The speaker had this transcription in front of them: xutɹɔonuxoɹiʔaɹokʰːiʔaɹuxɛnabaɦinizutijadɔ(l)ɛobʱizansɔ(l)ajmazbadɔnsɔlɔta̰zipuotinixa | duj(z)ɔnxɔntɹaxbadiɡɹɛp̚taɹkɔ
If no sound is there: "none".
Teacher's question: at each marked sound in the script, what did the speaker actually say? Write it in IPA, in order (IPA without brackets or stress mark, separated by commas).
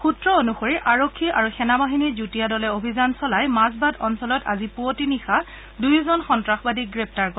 l, l, z